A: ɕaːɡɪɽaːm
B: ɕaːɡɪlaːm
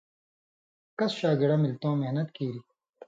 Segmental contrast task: A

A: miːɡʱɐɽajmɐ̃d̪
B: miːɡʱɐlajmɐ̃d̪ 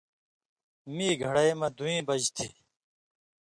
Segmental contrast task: A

